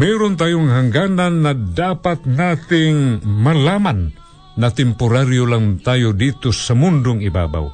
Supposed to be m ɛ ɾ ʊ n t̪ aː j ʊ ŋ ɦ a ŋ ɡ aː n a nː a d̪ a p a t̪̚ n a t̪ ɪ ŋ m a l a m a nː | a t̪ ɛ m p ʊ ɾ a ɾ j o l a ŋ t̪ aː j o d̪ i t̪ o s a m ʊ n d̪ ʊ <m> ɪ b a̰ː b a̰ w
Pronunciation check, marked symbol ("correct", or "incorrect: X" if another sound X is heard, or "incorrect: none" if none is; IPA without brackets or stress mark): incorrect: ŋ